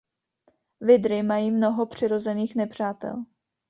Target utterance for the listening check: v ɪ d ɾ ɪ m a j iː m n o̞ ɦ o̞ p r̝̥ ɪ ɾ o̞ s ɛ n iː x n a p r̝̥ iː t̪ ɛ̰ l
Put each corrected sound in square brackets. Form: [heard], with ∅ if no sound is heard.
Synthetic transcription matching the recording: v ɪ d ɾ ɪ m a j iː m n o̞ ɦ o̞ p r̝̥ ɪ ɾ o̞ [z] ɛ n iː x n [ɛ] p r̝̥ [aː] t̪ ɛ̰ l